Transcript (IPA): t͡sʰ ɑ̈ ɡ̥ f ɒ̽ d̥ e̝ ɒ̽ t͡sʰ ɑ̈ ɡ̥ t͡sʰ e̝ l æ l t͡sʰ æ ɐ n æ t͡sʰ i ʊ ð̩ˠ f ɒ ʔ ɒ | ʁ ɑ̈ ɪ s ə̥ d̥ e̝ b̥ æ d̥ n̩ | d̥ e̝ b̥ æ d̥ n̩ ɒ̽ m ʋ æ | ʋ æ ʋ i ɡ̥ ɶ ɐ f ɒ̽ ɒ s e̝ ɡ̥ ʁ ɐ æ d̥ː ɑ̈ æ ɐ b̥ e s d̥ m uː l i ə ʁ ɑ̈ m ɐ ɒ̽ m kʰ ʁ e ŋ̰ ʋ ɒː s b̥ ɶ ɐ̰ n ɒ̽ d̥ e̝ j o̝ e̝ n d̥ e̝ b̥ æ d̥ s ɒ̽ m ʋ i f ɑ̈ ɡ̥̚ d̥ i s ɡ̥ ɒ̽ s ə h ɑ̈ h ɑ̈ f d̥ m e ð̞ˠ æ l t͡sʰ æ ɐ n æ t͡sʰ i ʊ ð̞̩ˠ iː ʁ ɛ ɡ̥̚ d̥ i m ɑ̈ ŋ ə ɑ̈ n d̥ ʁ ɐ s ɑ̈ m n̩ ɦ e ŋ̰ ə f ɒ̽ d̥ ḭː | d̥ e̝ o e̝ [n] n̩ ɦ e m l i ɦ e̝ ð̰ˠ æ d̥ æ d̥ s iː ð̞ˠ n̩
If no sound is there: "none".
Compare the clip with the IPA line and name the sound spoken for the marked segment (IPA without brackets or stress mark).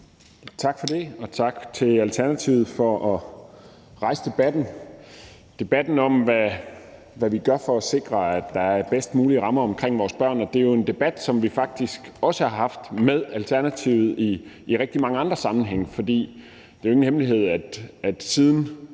ŋ